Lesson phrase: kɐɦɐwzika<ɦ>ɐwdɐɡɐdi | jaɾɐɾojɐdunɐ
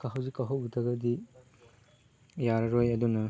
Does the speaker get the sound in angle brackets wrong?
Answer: no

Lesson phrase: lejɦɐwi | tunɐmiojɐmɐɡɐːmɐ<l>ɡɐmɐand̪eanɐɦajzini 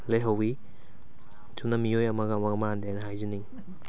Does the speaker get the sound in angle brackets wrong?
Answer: yes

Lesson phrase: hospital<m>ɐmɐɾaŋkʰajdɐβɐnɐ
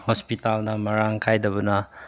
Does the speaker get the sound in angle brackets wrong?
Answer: yes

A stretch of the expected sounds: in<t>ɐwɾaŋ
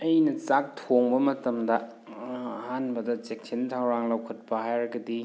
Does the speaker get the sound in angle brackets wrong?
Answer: yes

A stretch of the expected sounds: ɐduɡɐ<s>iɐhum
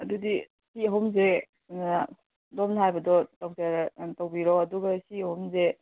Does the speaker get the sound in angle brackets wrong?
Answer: no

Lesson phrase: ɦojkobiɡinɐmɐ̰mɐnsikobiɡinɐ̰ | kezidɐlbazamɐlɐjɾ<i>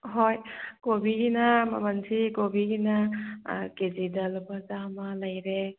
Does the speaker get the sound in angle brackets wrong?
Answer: yes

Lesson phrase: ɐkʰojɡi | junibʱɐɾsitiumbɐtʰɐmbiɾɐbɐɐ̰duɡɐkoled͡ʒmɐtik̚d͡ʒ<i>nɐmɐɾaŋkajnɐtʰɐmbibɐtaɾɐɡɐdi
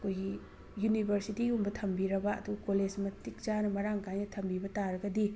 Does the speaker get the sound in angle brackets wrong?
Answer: yes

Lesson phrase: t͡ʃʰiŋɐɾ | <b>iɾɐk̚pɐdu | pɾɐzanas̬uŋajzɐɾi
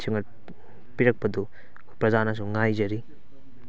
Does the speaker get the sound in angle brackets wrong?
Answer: yes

